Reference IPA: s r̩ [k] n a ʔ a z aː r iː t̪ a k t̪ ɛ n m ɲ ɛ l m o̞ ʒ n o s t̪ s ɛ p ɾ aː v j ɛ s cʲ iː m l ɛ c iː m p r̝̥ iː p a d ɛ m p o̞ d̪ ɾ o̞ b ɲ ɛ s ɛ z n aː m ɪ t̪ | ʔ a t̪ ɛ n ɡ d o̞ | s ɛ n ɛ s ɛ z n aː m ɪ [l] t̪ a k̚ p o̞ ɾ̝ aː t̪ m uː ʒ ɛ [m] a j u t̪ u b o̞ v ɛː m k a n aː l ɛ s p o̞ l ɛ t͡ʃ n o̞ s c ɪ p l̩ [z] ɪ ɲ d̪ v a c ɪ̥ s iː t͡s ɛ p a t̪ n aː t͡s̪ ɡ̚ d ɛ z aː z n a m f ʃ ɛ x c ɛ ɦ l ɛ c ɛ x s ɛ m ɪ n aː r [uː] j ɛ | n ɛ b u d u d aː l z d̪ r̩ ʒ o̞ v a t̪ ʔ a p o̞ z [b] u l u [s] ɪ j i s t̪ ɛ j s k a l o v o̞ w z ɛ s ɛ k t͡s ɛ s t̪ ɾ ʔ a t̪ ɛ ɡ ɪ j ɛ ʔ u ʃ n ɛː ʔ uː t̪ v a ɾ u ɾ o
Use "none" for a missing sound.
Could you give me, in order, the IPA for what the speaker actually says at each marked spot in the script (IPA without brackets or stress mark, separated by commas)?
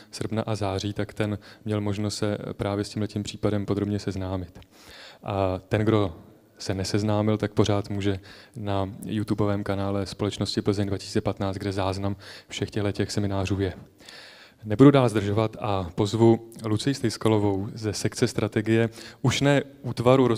p, l, n, z, uː, v, t͡s